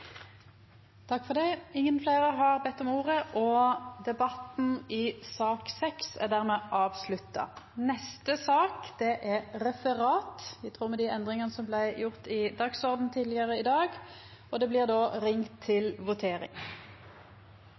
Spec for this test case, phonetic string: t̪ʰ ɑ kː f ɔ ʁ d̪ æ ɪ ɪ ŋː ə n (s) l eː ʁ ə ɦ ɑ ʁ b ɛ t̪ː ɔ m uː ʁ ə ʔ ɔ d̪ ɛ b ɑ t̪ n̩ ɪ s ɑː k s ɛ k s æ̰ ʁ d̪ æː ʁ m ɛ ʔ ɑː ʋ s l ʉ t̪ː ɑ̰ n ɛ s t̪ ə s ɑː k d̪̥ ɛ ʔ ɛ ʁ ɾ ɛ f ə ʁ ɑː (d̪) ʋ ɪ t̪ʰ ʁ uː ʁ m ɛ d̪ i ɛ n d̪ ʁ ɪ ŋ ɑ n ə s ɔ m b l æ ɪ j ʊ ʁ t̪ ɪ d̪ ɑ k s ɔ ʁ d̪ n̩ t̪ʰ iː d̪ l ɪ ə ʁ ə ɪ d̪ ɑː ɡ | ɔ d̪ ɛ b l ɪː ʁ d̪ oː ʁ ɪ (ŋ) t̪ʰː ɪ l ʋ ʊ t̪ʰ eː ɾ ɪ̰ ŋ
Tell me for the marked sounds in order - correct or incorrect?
incorrect: f, incorrect: t̪, correct

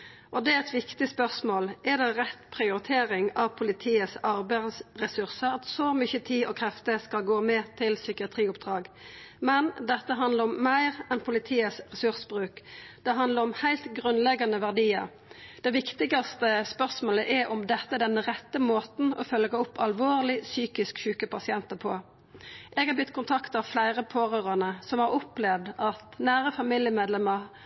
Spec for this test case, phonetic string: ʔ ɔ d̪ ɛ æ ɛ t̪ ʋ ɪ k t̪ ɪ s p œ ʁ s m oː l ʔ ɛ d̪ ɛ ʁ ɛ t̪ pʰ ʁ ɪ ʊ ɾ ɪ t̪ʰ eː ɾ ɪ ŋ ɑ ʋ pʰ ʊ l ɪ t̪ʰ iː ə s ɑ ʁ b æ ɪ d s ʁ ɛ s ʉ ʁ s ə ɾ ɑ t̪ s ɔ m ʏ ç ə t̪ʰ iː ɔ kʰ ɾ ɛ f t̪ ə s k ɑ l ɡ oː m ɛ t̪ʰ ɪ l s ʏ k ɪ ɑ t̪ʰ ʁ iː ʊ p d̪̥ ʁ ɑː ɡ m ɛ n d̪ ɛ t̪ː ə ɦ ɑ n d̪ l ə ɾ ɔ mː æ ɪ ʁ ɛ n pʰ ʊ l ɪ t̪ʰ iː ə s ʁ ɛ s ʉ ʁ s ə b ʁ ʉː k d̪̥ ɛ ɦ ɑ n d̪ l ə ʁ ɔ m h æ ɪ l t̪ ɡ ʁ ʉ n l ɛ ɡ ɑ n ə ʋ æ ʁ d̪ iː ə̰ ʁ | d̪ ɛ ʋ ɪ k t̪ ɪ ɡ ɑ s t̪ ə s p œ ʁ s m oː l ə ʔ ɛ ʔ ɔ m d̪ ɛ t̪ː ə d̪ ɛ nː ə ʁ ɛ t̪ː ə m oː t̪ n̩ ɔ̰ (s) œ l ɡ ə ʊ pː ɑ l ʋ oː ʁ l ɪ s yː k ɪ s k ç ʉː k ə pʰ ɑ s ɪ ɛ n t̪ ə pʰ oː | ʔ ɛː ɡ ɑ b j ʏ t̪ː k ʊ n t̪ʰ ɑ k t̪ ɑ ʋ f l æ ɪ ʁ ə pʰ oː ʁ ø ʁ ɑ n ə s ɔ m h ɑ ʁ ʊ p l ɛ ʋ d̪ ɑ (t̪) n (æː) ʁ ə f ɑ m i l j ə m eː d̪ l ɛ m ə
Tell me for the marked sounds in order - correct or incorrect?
incorrect: f, correct, correct

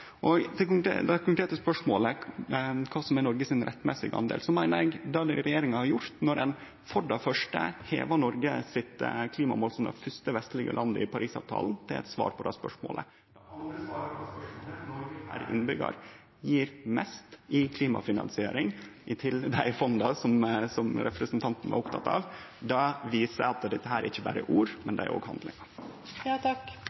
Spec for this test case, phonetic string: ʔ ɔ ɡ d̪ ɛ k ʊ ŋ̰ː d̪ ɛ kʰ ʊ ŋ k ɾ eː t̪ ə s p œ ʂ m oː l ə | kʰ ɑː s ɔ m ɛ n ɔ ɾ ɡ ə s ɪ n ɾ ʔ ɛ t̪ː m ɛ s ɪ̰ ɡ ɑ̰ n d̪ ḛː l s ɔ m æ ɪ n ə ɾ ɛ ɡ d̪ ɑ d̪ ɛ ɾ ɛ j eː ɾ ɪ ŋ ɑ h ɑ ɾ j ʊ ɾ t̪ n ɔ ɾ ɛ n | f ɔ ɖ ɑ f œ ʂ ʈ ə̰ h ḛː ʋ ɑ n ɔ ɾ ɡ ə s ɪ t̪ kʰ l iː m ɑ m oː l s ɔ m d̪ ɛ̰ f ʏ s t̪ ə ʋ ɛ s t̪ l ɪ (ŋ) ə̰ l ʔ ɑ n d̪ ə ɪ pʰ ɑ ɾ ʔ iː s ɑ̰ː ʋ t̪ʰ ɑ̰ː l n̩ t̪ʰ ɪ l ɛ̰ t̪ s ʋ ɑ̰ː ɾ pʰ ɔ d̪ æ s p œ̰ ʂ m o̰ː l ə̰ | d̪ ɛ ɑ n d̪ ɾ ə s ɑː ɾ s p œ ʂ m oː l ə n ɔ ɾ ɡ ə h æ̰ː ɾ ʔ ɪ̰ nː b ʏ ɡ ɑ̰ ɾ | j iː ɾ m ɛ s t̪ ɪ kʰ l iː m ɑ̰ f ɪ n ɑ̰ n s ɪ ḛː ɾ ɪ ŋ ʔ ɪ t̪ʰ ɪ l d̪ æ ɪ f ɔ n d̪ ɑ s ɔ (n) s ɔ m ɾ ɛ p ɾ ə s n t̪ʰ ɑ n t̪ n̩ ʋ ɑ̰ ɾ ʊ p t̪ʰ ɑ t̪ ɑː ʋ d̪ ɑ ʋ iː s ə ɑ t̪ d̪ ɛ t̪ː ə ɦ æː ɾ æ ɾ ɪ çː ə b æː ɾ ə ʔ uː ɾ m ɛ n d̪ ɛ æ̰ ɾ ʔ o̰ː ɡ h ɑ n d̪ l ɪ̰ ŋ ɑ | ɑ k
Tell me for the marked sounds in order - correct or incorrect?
incorrect: ɡ, incorrect: m

